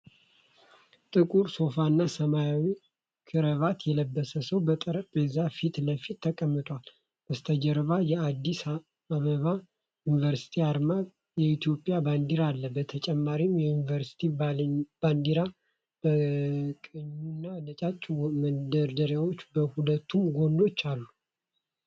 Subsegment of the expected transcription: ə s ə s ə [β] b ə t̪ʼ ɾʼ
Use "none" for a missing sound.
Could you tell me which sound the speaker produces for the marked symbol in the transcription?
w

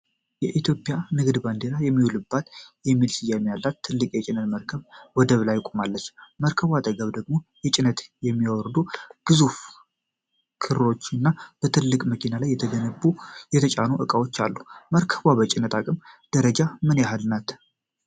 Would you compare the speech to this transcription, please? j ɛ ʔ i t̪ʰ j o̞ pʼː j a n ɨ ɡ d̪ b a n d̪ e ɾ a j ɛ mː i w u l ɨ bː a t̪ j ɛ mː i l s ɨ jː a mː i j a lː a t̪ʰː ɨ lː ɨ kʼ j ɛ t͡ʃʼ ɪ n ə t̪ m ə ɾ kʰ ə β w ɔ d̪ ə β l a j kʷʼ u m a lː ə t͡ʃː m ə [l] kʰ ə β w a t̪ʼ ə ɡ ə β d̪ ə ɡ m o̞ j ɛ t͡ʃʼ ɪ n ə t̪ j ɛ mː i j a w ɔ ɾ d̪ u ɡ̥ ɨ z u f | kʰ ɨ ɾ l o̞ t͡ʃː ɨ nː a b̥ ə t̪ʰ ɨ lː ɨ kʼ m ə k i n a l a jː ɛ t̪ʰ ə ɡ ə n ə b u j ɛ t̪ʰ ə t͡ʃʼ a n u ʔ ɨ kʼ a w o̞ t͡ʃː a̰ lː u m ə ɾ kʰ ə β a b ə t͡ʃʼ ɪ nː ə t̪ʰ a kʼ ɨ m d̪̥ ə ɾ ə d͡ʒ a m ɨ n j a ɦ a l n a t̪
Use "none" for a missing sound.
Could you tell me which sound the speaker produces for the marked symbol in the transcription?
ɾ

